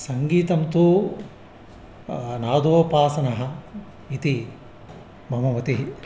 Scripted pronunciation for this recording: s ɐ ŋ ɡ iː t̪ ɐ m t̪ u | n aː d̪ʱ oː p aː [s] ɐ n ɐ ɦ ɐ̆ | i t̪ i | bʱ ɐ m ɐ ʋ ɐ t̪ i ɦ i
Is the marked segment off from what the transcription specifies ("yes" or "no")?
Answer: no